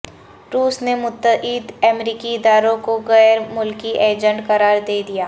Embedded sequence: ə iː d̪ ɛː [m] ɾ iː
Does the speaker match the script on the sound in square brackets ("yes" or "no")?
yes